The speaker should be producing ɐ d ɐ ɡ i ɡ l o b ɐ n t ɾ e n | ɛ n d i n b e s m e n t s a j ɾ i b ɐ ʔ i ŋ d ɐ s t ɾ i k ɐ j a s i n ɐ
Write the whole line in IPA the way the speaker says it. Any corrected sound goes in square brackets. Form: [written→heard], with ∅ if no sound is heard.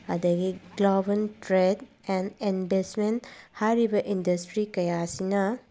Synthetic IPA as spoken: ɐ d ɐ ɡ i ɡ l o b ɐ n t ɾ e [n→d] | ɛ n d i n b e s m e n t [s→h] a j ɾ i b ɐ ʔ i [ŋ→n] d ɐ s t ɾ i k ɐ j a s i n ɐ